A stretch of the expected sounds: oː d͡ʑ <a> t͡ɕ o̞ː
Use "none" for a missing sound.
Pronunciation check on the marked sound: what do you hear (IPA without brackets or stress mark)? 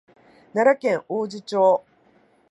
i